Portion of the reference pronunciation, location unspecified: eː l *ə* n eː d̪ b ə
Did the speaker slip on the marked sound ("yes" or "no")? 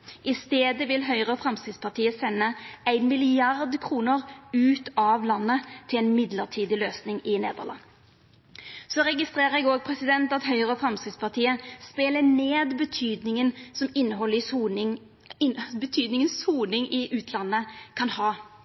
no